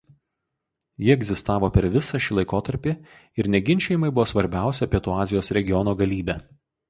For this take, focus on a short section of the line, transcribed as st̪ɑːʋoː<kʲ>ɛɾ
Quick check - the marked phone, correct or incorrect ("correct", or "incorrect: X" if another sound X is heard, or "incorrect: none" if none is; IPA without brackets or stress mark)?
incorrect: pʲ